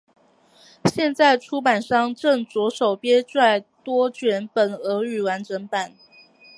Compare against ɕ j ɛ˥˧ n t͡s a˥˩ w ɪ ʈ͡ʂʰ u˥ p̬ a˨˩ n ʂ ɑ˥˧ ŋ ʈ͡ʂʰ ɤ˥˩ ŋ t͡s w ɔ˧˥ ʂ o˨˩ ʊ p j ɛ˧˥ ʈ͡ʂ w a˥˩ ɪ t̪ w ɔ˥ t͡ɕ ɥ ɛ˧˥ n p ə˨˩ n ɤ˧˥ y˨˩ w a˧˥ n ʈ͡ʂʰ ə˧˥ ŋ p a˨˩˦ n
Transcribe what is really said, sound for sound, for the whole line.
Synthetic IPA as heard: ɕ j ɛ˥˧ n t͡s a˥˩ ɪ ʈ͡ʂʰ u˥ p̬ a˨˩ n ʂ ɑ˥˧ ŋ ʈ͡ʂ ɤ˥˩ ŋ t͡s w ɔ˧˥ ʂ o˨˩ ʊ p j ɛ˥ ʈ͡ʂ w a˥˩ ɪ t̪ w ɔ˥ t͡ɕ ɥ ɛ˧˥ n p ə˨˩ n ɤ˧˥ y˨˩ w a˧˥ n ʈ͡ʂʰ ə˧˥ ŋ p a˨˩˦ n

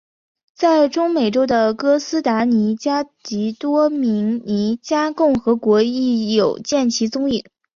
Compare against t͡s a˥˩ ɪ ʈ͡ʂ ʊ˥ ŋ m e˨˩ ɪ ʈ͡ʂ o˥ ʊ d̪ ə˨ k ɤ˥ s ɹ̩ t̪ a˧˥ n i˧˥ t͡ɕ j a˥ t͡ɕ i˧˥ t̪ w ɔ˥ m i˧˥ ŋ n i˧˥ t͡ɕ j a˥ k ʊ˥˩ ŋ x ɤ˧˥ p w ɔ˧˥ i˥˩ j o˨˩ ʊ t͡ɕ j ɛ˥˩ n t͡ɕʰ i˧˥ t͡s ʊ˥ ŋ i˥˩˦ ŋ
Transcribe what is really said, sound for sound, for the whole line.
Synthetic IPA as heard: t͡s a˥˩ ɪ ʈ͡ʂ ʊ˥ ŋ m e˨˩ ɪ ʈ͡ʂ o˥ ʊ d̪ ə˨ k ɤ˥ s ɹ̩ t̪ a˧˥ n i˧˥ t͡ɕ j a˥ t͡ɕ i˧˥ t̪ w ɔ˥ m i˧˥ ŋ n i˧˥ t͡ɕ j a˥ k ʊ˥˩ ŋ x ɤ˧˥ k w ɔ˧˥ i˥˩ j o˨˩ ʊ t͡ɕ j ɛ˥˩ n t͡ɕʰ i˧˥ t͡s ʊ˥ ŋ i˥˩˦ ŋ

